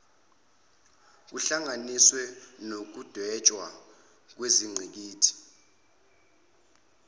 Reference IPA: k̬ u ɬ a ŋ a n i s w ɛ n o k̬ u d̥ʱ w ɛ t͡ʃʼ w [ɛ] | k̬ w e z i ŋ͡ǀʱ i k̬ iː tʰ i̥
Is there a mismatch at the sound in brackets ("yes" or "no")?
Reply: yes